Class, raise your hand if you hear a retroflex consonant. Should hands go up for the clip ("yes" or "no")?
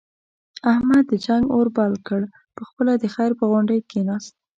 yes